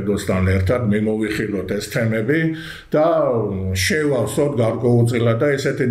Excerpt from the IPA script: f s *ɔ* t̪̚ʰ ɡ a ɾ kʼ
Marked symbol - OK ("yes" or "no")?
yes